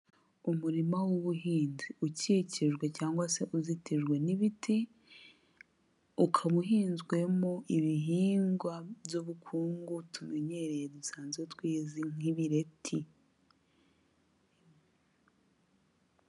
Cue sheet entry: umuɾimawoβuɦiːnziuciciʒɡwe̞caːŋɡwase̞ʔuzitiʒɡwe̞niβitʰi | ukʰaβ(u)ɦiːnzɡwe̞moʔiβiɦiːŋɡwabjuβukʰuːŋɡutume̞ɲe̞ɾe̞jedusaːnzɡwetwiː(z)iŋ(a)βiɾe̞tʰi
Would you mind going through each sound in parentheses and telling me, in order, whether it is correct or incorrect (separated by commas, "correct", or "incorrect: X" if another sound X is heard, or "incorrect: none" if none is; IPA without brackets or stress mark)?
correct, correct, incorrect: i